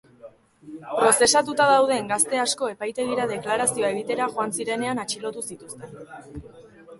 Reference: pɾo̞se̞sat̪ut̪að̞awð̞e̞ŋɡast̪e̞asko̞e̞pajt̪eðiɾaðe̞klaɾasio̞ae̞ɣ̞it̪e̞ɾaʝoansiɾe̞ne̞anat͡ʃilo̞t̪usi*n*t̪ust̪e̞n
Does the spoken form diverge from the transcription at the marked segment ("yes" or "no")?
yes